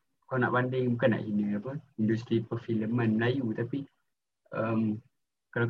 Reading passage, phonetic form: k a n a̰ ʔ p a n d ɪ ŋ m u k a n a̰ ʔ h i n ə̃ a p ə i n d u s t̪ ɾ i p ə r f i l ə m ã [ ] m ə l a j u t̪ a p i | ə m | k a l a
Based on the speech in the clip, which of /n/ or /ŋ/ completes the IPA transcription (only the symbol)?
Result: n